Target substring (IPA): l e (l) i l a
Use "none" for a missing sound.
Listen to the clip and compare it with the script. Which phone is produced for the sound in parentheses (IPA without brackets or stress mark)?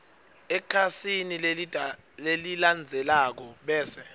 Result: l